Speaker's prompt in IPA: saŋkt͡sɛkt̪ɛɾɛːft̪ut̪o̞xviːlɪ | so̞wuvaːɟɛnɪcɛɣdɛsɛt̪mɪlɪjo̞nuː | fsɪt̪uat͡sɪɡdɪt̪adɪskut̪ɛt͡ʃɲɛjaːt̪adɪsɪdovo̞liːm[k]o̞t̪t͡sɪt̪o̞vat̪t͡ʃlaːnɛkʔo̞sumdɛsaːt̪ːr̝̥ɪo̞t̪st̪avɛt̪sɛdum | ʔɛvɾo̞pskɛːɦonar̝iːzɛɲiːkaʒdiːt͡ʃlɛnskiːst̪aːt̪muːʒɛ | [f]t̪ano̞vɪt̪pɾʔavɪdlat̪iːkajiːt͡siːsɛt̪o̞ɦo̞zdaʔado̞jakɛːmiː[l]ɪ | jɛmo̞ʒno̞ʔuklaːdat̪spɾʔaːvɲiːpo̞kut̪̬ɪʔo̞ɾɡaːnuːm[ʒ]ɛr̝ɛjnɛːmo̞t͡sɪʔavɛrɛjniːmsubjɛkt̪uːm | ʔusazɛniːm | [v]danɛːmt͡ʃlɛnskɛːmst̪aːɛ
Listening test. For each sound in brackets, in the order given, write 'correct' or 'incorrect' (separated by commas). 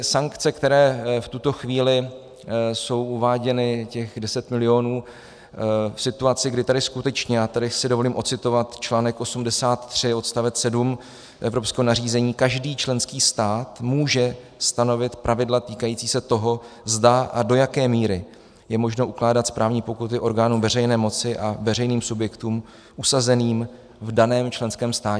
incorrect, incorrect, incorrect, incorrect, correct